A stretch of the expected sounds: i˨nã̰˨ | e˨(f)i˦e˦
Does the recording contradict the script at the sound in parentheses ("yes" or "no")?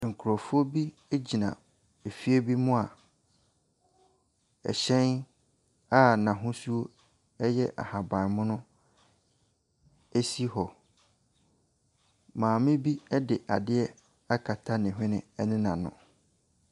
no